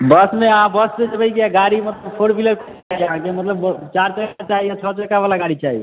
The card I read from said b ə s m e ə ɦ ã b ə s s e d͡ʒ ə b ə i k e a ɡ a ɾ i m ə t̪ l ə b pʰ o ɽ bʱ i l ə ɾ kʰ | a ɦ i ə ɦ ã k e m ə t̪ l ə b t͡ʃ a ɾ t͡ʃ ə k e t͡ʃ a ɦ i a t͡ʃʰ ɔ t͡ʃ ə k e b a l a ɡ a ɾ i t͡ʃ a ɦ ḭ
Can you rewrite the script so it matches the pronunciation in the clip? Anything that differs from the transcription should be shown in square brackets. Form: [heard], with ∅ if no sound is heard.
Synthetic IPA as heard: b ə s m e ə ɦ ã b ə s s e d͡ʒ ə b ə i k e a ɡ a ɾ i m ə t̪ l ə b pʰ o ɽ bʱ i l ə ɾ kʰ | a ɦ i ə ɦ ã k e m ə t̪ l ə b t͡ʃ a ɾ t͡ʃ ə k [a] t͡ʃ a ɦ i a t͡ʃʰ ɔ t͡ʃ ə k [a] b a l a ɡ a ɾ i t͡ʃ a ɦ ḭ